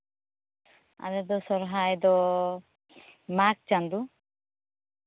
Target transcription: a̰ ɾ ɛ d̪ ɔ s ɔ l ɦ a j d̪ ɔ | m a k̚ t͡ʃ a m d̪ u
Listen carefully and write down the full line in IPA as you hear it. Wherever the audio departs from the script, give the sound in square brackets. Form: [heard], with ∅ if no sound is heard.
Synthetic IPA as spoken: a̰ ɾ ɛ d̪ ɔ s ɔ [ɾ] ɦ a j d̪ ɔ | m a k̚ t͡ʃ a [n] d̪ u